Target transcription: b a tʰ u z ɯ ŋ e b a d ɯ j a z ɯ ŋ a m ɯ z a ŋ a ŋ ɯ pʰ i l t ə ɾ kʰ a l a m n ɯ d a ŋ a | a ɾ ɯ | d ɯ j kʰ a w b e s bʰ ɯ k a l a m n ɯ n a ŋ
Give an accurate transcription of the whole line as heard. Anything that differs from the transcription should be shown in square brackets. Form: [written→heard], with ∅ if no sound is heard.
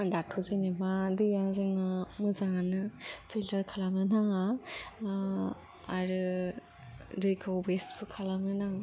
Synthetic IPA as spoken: [b→d] a tʰ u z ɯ [ŋ→n] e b a d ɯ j a z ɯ ŋ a m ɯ z a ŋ a [ŋ→n] ɯ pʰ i l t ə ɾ kʰ a l a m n ɯ [d→n] a ŋ a | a ɾ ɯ | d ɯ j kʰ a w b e s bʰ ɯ [k→kʰ] a l a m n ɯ n a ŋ